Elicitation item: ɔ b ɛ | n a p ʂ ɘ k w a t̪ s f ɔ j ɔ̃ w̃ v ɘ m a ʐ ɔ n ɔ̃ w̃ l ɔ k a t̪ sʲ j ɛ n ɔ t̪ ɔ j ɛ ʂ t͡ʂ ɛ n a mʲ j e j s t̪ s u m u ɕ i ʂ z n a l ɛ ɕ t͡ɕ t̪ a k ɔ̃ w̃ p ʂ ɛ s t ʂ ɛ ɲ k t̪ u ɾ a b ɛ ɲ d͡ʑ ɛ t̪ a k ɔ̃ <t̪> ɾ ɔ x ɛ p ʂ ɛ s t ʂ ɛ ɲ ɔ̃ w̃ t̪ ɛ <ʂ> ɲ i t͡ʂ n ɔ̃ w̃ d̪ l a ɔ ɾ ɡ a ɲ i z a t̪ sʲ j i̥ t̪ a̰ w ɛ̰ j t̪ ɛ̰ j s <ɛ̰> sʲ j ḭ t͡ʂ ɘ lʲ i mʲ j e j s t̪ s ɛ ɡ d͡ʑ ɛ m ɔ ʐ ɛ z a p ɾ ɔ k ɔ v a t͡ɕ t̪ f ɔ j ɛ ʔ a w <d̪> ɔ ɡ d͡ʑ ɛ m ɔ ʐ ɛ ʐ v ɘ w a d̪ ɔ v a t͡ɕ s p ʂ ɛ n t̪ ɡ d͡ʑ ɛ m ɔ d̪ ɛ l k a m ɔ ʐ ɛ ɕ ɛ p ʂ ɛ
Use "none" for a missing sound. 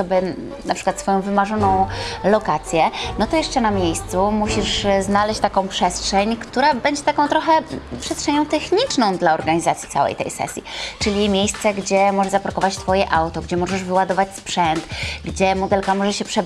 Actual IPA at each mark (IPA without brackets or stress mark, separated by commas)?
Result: t̪, x, ɛ̰, t̪